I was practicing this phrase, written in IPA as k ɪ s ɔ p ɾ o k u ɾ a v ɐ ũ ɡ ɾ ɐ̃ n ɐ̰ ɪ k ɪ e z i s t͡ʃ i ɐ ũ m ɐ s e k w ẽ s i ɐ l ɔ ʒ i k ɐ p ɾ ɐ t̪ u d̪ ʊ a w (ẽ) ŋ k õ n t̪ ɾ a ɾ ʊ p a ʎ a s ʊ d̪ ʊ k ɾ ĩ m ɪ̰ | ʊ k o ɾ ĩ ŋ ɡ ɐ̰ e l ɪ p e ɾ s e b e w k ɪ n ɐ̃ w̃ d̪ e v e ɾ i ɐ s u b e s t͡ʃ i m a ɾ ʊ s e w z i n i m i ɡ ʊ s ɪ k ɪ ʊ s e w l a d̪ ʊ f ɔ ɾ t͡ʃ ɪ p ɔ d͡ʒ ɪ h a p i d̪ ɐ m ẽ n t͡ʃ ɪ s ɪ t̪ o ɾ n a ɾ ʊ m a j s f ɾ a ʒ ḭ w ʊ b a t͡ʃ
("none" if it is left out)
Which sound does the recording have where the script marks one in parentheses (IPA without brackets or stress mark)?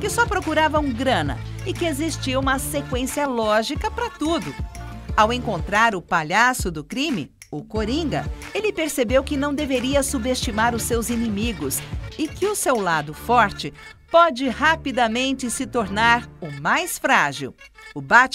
ẽ